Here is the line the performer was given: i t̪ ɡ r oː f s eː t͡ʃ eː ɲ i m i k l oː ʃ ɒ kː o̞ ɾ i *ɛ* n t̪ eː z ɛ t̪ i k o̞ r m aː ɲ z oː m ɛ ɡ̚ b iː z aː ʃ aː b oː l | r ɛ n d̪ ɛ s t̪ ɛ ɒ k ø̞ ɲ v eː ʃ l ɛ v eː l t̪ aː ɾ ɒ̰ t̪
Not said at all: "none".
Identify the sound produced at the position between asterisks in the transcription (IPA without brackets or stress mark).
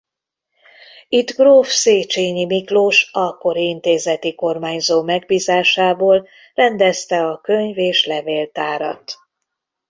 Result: i